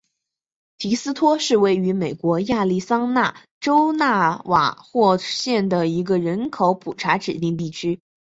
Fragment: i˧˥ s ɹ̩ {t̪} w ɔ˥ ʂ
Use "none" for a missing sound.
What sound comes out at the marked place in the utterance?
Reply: t̪ʰ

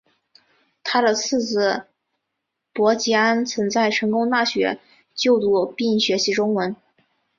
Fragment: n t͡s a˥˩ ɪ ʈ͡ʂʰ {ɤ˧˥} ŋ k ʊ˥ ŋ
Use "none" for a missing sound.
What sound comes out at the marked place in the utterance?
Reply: ɤ˧˥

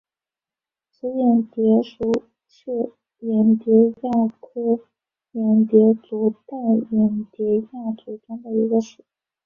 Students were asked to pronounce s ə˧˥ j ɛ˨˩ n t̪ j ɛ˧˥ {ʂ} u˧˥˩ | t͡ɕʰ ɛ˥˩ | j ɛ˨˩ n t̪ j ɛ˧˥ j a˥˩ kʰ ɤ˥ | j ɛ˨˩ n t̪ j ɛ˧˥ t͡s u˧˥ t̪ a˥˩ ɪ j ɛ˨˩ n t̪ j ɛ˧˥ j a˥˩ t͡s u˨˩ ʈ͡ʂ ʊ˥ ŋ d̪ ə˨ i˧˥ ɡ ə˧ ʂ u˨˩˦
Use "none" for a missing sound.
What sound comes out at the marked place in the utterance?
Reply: ʂ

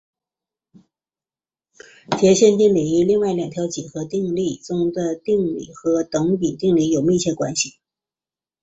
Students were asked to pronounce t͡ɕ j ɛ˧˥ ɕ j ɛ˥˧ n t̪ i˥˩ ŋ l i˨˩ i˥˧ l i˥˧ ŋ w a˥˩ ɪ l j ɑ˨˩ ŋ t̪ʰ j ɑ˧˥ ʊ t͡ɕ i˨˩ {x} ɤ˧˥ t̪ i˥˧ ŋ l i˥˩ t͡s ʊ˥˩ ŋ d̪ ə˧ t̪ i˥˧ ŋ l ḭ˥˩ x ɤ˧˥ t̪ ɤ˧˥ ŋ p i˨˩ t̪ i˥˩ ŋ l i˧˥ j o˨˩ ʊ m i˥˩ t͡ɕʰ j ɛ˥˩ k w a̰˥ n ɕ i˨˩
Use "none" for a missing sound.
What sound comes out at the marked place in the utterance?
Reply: x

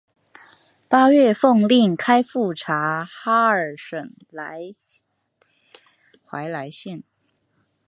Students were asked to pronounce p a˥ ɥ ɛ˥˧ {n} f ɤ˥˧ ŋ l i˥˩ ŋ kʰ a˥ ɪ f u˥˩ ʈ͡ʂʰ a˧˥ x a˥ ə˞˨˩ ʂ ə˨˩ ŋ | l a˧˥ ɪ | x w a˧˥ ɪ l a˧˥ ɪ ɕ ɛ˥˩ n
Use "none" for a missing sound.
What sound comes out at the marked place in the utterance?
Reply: none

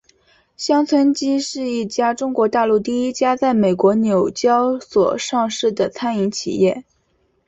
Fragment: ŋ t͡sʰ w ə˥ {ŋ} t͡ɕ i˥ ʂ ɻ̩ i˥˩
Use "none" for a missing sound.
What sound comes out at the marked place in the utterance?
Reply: n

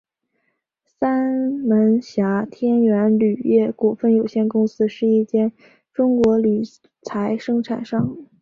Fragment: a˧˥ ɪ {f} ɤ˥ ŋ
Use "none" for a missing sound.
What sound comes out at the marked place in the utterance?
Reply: ʂ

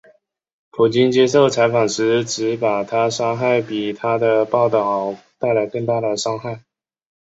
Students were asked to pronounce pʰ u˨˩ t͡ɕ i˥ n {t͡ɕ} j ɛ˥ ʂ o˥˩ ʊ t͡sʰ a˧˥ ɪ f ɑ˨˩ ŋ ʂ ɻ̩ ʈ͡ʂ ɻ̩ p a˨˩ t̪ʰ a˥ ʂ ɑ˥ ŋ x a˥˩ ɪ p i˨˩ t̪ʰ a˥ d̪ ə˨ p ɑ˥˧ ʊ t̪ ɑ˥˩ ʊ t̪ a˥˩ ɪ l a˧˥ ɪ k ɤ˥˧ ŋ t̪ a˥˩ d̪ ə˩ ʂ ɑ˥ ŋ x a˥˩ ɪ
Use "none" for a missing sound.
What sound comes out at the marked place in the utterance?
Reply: t͡ɕ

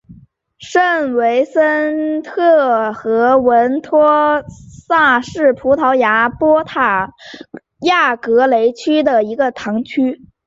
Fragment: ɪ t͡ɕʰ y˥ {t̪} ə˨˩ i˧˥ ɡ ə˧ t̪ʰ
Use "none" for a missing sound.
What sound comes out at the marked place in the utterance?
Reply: d̪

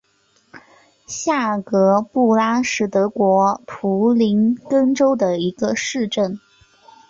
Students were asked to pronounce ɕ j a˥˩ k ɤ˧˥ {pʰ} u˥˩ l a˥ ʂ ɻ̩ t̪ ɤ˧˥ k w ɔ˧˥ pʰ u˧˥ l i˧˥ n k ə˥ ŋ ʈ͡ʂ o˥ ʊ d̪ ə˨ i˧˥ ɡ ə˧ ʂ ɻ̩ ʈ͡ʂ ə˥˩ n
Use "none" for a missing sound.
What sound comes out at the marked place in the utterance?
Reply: p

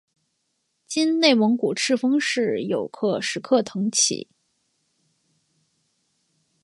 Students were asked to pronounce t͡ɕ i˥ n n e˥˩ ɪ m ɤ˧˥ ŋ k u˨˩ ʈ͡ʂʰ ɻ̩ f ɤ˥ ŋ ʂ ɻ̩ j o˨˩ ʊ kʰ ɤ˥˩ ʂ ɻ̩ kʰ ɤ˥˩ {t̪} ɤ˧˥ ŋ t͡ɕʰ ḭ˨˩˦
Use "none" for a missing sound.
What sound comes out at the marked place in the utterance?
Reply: t̪ʰ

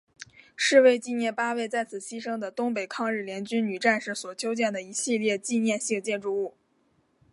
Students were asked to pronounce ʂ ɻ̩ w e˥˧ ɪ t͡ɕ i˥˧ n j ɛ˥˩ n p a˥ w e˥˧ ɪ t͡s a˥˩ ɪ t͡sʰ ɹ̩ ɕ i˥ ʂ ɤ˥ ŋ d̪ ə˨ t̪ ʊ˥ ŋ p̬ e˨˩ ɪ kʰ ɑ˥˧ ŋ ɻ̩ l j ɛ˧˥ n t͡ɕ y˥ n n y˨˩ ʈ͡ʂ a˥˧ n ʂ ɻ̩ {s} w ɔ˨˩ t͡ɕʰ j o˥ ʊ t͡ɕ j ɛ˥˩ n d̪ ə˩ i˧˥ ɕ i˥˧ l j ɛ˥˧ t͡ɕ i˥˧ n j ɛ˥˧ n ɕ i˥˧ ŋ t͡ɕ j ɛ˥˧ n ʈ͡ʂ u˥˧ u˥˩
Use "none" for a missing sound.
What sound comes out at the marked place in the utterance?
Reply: s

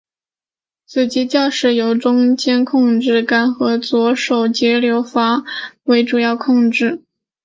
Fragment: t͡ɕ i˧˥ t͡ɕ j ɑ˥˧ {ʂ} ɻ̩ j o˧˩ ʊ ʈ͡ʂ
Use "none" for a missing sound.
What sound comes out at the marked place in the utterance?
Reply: ʂ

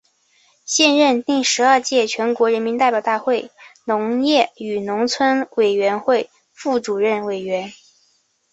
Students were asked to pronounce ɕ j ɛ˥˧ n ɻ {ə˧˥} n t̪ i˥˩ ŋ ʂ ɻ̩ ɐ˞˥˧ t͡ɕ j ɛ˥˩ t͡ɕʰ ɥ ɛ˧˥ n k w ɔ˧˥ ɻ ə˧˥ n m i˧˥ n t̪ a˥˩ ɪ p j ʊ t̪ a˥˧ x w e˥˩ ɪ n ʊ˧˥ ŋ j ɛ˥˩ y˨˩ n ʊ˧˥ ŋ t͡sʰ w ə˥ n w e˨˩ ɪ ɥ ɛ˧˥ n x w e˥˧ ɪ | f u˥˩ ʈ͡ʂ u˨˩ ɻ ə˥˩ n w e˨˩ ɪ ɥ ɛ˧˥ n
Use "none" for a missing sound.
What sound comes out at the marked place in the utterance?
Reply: ə˥˧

